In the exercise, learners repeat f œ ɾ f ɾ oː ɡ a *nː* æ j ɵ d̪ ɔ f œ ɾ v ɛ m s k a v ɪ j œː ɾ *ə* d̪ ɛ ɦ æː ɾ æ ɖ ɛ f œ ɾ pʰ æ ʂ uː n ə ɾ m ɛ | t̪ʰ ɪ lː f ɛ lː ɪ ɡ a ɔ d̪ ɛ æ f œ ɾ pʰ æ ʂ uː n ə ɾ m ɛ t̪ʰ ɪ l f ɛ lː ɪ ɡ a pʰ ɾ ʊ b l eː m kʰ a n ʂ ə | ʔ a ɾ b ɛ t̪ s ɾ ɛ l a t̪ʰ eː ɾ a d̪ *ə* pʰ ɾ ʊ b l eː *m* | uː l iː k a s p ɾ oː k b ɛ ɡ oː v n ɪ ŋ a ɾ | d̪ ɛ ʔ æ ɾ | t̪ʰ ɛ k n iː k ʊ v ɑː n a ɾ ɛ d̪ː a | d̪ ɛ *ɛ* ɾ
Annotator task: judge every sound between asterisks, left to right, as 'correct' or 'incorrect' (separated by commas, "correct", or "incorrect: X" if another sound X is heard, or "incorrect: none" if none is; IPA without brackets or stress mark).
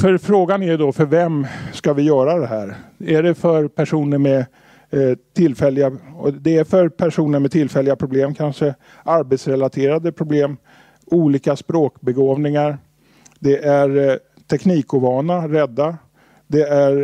incorrect: n, incorrect: a, correct, correct, incorrect: æ